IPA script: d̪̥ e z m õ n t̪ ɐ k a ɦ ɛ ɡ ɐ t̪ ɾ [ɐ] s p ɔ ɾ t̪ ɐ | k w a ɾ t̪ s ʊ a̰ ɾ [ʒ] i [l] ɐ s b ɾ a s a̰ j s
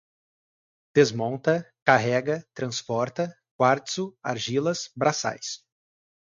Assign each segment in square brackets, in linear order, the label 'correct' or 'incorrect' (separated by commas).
incorrect, correct, correct